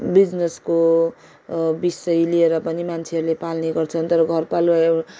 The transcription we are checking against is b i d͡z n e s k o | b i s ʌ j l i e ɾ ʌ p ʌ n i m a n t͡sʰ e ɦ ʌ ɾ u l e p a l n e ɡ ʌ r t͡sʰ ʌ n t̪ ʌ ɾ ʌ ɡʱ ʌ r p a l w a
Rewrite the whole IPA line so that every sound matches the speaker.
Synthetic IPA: b i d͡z n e s k o | b i s ʌ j l i e ɾ ʌ p ʌ n i m a n t͡sʰ e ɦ ʌ ɾ u l e p a l n e ɡ ʌ r t͡sʰ ʌ n t̪ ʌ ɾ ʌ ɡʱ ʌ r p a l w a